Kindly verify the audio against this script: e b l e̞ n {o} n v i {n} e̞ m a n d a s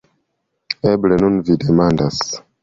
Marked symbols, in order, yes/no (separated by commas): no, no